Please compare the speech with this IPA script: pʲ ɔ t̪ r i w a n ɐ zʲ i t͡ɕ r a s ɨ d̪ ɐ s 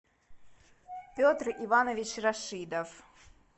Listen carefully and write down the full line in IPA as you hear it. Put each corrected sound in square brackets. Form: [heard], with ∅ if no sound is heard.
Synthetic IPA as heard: pʲ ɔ t̪ r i [v] a n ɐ [vʲ] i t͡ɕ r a [ʂ] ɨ d̪ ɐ [f]